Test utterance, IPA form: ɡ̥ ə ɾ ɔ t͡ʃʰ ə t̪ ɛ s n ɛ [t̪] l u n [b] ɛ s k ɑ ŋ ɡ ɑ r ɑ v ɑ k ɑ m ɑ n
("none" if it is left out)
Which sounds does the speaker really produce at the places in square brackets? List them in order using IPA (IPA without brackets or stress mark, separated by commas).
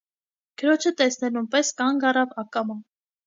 none, p